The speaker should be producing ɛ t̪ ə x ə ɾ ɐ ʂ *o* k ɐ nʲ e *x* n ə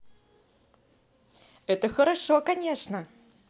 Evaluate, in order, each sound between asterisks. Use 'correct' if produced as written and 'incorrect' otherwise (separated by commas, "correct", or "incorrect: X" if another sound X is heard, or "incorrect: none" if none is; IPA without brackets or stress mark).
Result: correct, incorrect: ʂ